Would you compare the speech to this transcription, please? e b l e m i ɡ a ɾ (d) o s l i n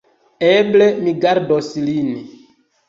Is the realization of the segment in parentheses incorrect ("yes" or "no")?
no